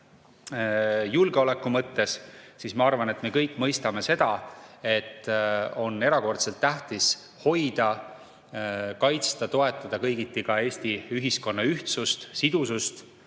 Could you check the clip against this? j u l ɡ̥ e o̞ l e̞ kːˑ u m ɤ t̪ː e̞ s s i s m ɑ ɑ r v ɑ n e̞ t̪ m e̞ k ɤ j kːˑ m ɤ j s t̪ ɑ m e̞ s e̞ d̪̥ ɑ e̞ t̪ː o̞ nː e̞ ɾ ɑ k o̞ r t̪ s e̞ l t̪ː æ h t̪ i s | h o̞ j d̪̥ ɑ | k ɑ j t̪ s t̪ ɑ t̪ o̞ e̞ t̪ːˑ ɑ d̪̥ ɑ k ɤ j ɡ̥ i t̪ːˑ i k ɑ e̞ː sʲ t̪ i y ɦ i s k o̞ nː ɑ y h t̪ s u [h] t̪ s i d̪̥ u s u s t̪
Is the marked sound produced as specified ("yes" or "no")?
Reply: no